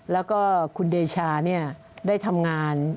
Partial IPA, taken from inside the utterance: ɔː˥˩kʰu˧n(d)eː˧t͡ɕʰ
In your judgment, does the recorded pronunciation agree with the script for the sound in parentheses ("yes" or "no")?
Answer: yes